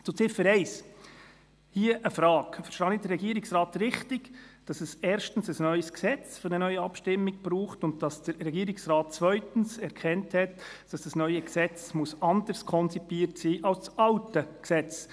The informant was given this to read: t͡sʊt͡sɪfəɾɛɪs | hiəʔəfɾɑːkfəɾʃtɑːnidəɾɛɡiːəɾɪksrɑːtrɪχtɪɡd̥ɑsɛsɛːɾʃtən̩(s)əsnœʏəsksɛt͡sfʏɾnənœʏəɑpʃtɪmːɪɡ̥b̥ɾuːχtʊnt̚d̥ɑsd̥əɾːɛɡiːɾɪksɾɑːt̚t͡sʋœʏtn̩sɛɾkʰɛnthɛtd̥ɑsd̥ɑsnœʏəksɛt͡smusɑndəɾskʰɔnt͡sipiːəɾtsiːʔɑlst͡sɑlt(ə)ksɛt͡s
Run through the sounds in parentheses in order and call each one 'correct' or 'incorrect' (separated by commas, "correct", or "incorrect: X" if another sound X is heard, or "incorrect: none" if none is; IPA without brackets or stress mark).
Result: correct, correct